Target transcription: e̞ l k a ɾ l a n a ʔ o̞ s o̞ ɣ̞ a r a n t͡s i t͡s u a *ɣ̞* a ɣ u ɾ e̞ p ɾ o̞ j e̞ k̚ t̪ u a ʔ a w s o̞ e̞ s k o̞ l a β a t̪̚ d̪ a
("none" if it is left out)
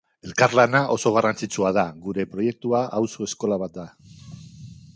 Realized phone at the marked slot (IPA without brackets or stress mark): ð̞